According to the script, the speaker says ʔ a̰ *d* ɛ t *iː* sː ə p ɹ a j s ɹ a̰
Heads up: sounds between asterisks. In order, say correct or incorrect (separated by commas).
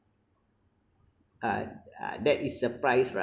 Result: correct, incorrect